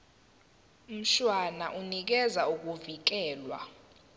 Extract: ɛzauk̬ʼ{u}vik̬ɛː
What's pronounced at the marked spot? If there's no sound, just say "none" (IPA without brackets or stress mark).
u